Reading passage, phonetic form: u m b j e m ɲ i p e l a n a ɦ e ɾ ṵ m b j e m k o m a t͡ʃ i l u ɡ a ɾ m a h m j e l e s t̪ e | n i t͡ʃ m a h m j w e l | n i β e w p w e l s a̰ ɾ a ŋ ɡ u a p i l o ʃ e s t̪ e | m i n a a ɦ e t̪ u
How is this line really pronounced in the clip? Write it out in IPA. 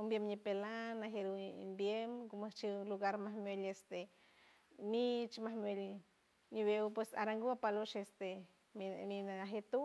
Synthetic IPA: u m b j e m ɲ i p e l a n a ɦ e ɾ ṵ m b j e m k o m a t͡ʃ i l u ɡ a ɾ m a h m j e l e s t̪ e | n i t͡ʃ m a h m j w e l | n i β e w p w e s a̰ ɾ a ŋ ɡ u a p a l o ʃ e s t̪ e | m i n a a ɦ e t̪ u